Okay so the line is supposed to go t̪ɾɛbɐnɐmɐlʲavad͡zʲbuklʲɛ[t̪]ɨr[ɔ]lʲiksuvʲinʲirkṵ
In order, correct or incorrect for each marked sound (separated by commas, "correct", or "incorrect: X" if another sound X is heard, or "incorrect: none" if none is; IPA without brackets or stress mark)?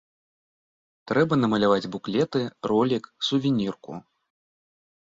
correct, correct